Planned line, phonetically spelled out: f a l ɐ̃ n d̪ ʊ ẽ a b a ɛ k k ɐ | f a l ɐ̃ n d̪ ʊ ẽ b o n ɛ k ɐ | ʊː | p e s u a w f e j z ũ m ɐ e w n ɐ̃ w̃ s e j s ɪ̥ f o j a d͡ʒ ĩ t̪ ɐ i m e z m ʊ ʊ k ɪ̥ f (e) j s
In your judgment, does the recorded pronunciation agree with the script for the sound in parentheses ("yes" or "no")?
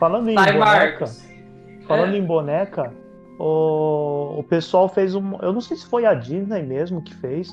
yes